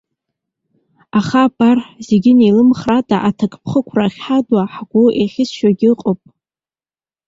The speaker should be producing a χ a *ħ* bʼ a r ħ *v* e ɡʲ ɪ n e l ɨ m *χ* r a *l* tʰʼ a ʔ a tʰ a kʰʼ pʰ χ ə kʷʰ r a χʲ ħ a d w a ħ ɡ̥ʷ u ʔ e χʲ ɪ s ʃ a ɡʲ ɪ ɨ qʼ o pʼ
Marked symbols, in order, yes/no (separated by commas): no, no, yes, no